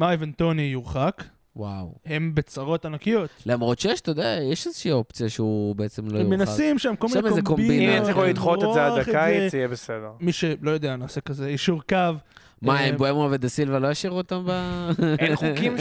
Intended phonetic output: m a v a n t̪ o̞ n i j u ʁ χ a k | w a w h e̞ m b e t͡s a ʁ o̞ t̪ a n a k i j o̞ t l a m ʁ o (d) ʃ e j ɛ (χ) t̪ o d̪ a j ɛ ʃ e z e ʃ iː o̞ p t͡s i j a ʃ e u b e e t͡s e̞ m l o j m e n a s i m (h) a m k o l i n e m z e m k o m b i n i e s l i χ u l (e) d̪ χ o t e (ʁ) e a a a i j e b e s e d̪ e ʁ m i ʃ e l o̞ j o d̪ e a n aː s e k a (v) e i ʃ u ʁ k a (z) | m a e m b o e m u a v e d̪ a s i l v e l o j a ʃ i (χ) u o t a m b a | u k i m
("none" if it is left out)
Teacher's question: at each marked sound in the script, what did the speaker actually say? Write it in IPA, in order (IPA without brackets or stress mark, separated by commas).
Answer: t, ʃ, ʃ, i, z, z, v, ʁ